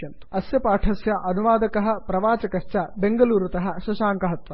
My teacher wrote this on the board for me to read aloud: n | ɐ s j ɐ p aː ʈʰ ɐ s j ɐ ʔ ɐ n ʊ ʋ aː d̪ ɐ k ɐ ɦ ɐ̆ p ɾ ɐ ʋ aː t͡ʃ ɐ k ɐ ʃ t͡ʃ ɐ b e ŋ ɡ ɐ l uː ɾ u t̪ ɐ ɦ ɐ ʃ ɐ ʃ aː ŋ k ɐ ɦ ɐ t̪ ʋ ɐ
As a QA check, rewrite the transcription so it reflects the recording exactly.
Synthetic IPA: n | ɐ s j ɐ p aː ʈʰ ɐ s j ɐ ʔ ɐ n u ʋ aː d̪ ɐ k ɐ ɦ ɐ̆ p ɾ ɐ ʋ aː t͡ʃ ɐ k ɐ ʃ t͡ʃ ɐ b e ŋ ɡ ɐ l uː ɾ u t̪ ɐ ɦ ɐ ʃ ɐ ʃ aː ŋ k ɐ ɦ ɐ t̪ ʋ ɐ